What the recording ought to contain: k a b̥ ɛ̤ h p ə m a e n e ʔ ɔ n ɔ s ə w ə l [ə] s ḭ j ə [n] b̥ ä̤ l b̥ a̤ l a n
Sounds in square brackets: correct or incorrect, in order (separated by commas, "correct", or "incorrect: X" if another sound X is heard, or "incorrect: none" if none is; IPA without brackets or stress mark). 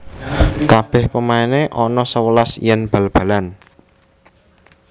incorrect: a, correct